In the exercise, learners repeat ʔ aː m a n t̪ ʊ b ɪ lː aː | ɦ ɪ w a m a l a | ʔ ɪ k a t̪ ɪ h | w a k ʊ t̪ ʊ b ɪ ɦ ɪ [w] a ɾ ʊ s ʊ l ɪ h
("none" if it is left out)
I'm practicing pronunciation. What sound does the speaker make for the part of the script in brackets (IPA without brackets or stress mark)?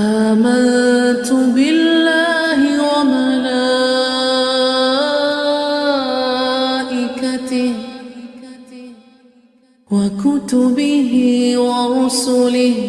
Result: w